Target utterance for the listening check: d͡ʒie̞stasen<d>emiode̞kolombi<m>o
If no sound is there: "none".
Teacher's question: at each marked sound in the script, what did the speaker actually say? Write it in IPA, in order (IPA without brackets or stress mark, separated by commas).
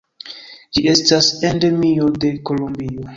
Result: d, none